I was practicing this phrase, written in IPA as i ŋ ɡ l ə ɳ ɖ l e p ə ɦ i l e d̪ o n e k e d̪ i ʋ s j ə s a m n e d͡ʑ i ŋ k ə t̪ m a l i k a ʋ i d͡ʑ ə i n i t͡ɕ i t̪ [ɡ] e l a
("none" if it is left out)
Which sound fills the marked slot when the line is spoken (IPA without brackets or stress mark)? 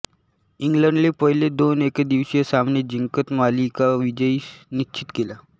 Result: k